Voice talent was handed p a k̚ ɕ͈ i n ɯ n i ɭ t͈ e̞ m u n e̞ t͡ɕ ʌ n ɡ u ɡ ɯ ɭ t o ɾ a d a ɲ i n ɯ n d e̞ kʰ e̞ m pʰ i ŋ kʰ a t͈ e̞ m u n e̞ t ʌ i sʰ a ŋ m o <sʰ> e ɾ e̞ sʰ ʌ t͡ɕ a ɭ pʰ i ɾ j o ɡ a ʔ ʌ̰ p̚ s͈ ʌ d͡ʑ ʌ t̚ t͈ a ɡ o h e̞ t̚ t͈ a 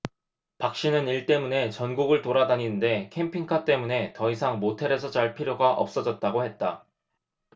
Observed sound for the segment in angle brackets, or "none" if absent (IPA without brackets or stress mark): tʰ